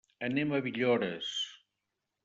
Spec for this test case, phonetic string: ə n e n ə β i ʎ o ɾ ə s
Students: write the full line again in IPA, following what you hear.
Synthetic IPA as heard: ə n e m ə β i ʎ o ɾ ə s